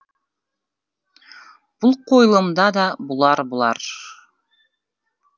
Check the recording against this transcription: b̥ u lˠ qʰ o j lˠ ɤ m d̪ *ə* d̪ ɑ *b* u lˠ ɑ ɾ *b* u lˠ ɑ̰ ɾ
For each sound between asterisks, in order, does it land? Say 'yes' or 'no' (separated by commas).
no, yes, yes